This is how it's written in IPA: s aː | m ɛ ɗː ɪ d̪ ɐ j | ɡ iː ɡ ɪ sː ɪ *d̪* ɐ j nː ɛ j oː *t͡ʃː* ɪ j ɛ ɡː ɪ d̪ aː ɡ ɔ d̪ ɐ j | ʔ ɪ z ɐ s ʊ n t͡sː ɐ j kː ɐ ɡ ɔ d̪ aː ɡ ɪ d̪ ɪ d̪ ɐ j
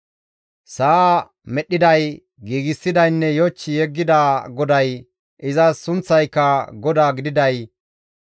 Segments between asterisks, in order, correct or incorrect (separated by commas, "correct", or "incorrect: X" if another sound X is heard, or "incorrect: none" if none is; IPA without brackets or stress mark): correct, correct